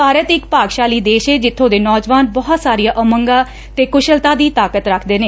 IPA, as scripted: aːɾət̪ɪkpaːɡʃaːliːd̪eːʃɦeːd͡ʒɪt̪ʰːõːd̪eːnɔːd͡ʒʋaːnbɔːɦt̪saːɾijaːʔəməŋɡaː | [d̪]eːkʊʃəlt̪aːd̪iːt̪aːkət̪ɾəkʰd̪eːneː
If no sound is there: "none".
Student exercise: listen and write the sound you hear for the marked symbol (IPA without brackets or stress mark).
t̪